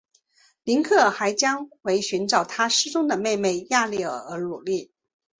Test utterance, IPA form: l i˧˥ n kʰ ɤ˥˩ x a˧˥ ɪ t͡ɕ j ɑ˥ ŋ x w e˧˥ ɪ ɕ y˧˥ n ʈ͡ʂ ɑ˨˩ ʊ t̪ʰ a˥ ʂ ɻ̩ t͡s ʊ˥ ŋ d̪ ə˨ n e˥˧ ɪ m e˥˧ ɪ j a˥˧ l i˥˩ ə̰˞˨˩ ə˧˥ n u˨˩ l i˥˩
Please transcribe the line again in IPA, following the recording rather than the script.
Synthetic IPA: l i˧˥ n kʰ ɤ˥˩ x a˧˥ ɪ t͡ɕ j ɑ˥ ŋ x w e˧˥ ɪ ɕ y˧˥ n ʈ͡ʂ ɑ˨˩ ʊ t̪ʰ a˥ ʂ ɻ̩ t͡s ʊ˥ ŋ d̪ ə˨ m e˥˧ ɪ m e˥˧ ɪ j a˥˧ l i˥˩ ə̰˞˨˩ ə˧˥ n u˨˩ l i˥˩